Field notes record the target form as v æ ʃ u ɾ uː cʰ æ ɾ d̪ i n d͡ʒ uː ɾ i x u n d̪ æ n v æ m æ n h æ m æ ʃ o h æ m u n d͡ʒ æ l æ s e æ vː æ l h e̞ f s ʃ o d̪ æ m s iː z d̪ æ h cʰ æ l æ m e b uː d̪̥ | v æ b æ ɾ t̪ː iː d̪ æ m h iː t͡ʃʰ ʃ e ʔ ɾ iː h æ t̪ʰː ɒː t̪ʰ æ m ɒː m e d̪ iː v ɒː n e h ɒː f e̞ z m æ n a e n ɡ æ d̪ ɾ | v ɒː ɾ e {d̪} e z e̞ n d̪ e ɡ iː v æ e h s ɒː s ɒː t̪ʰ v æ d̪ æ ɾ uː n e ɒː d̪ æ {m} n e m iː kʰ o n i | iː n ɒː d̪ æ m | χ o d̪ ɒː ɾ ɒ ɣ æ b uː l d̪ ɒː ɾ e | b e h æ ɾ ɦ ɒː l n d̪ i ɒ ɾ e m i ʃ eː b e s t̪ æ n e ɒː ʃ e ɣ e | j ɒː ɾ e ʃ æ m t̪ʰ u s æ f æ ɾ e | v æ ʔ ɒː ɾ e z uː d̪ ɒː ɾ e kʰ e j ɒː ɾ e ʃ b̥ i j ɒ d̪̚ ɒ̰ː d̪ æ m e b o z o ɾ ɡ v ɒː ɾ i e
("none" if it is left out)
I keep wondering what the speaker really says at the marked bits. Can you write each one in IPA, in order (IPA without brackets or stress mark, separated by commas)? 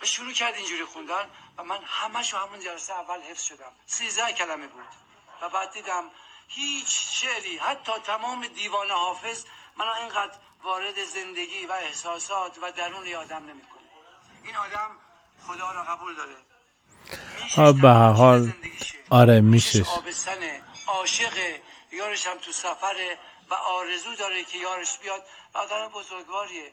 d̪, m